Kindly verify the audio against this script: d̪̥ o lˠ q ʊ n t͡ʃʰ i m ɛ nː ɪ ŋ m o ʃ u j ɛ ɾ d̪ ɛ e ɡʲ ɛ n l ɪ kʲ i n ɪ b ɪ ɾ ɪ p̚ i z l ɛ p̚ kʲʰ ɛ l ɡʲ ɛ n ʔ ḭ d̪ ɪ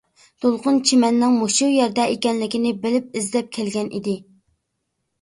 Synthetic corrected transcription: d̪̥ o lˠ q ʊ n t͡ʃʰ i m ɛ nː ɪ ŋ m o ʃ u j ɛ ɾ d̪ ɛ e kʲ ɛ n l ɪ kʲ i n ɪ b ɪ l ɪ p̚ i z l ɛ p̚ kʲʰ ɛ l ɡʲ ɛ n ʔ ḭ d̪ ɪ